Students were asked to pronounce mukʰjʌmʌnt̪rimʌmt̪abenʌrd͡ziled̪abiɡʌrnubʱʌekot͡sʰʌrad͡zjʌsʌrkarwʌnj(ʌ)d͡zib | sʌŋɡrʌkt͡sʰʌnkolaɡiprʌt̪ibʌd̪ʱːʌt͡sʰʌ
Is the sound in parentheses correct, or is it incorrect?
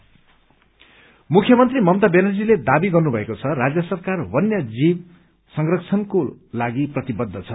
correct